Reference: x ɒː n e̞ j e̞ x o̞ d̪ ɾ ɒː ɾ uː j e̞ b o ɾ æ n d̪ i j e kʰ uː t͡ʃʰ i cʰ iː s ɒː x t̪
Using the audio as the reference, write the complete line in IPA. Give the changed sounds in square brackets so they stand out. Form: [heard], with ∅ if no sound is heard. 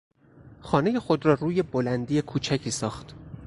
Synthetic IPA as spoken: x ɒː n e̞ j e̞ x o̞ d̪ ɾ ɒː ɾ uː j e̞ b o [l] æ n d̪ i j e kʰ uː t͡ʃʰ [æ] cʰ iː s ɒː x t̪